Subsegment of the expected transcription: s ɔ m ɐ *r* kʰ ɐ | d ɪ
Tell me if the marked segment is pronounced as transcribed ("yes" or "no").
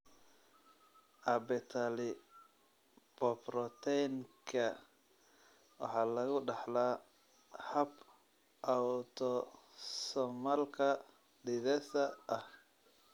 no